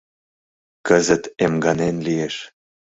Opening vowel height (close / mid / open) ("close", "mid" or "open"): mid